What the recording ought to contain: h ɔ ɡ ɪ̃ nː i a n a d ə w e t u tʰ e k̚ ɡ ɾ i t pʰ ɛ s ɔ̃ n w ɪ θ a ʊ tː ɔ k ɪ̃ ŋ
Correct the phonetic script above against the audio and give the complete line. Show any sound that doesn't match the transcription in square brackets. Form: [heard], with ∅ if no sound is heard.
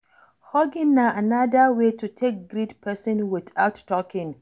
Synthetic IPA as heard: h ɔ ɡ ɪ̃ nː [a] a n a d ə w e t u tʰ e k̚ ɡ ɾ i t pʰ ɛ s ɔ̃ n w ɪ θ a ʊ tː ɔ k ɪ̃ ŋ